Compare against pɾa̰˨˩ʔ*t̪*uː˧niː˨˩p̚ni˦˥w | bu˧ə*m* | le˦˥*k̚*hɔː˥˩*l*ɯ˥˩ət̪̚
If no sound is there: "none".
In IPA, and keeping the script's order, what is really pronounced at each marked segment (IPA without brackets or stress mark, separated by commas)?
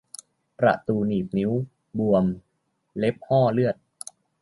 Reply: t̪, m, p̚, l